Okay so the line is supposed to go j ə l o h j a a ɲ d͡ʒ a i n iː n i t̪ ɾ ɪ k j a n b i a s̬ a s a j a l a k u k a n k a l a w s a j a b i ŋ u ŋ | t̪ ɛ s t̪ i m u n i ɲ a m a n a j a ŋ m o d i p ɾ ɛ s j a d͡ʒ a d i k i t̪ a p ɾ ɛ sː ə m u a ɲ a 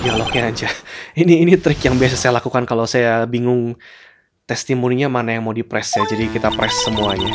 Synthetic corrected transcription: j a l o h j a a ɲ d͡ʒ a i n iː n i t̪ ɾ ɪ k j a ŋ b i a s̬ a s a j a l a k u k a n k a l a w s a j a b i ŋ ʊ ŋ | t̪ ɛ s t̪ i m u n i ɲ a m a n a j a ŋ m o d i p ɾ ɛ s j a d͡ʒ a d i k i t̪ a p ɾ ɛ sː ə m u a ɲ a